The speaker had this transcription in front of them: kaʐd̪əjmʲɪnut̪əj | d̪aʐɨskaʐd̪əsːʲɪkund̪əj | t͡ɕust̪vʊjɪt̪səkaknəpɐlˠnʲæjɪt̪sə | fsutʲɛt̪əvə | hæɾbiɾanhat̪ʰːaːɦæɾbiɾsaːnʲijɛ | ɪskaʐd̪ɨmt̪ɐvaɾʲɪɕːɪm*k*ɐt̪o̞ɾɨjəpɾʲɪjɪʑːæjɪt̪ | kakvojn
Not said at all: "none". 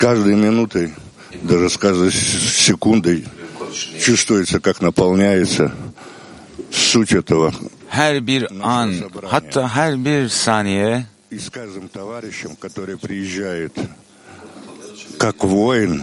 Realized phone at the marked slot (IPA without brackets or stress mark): k